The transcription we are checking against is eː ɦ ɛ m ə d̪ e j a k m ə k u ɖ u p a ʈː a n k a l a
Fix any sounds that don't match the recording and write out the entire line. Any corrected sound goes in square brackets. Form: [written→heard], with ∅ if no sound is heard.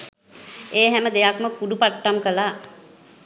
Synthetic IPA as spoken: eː ɦ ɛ m ə d̪ e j a k m ə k u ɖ u p a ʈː a [n→m] k [a→ə] l a

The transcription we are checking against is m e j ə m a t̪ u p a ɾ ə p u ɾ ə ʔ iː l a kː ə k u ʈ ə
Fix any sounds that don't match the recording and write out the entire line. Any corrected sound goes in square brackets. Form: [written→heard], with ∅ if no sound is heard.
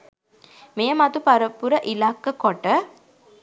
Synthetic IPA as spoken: m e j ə m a t̪ u p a ɾ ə p u ɾ ə ʔ [iː→i] l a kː ə k [u→o] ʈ ə

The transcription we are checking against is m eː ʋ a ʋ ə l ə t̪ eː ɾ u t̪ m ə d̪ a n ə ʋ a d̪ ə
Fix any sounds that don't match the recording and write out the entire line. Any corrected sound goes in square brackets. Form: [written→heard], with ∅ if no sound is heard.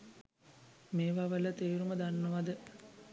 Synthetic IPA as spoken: m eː ʋ a ʋ ə l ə t̪ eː ɾ u [t̪→∅] m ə d̪ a [n→nː] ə ʋ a d̪ ə

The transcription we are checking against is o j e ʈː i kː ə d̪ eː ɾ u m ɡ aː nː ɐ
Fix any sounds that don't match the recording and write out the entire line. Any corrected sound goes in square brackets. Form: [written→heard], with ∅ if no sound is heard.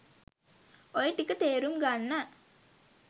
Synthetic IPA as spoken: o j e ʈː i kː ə [d̪→t̪] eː ɾ u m ɡ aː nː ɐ

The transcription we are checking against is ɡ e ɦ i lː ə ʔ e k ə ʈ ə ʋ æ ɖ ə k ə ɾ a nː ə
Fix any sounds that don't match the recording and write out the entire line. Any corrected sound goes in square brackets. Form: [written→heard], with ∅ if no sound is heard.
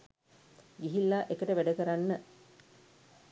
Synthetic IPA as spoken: ɡ [e→i] ɦ i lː [ə→a] ʔ e k ə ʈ ə ʋ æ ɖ ə k ə ɾ a nː ə

